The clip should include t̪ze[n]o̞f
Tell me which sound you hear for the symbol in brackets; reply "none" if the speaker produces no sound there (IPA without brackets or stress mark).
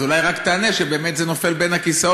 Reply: n